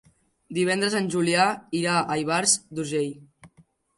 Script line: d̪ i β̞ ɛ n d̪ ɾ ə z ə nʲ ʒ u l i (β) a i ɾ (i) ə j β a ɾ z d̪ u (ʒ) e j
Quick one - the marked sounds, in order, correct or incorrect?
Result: incorrect, incorrect, correct

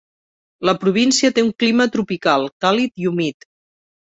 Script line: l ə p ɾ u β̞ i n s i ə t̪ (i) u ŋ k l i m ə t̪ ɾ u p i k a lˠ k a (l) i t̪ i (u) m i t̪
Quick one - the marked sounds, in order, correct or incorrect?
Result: incorrect, correct, correct

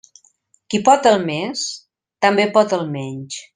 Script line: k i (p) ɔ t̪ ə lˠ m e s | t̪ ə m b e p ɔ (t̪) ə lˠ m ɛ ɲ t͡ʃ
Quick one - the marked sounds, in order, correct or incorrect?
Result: correct, correct

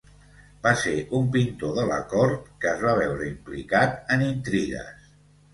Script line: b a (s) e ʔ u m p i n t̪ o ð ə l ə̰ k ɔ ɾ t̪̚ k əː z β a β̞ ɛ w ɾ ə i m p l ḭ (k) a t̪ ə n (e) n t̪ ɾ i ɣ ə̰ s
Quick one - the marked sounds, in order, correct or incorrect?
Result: correct, correct, incorrect

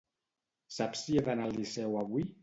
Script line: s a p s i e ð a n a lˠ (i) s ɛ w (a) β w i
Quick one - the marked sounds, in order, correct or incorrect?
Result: correct, correct

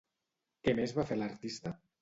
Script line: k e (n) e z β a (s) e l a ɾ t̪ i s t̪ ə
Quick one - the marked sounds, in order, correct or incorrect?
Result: incorrect, incorrect

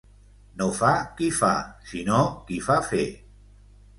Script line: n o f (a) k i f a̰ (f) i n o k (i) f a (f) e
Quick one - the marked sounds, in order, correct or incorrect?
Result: correct, incorrect, correct, correct

